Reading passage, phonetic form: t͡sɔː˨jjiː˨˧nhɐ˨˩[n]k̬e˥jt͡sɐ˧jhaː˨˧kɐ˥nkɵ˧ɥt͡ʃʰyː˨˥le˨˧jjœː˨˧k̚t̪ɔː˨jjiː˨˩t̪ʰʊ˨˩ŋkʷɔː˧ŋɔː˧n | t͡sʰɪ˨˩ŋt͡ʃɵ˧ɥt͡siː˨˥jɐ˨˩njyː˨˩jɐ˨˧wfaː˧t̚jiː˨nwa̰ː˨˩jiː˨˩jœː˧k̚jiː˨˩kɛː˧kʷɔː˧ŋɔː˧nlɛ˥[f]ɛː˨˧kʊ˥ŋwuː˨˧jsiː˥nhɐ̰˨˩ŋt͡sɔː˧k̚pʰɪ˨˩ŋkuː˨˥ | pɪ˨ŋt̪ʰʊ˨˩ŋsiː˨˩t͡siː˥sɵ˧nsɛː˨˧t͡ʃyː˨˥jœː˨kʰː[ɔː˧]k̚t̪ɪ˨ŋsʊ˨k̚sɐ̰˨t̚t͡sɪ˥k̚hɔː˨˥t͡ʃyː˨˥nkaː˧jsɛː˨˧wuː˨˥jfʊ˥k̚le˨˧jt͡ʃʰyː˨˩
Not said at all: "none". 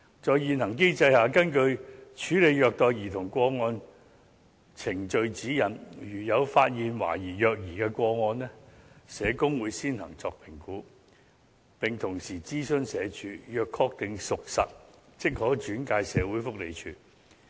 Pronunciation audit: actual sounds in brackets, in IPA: ŋ, s, ɔː˧

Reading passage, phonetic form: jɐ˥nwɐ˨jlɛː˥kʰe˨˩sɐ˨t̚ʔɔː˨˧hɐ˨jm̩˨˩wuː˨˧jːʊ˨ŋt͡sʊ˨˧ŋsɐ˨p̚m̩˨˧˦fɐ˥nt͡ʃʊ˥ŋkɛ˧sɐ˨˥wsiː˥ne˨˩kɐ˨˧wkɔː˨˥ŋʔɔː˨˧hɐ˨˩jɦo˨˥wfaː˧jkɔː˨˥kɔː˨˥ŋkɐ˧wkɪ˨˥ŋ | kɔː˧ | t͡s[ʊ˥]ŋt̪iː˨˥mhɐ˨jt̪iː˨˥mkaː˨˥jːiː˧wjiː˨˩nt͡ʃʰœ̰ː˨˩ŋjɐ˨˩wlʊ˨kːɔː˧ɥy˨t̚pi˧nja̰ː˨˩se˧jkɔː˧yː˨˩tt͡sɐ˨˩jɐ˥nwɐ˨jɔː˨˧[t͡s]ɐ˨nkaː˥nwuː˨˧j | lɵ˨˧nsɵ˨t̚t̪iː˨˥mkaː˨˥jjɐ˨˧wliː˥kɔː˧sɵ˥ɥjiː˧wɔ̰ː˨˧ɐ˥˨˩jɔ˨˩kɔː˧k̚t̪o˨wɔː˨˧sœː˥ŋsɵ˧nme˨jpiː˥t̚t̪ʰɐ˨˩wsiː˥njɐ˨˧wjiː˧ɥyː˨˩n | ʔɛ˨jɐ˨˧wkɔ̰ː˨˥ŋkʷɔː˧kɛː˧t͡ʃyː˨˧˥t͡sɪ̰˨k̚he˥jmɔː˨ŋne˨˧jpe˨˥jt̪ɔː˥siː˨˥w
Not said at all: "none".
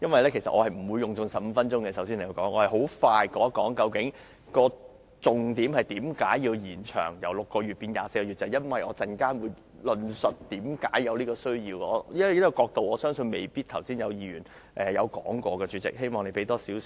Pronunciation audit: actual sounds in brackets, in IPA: ʊ˨, t͡s

